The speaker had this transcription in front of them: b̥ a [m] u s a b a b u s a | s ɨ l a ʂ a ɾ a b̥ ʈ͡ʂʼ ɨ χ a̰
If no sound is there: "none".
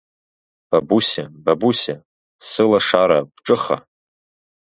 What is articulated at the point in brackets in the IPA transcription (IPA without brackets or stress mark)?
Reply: b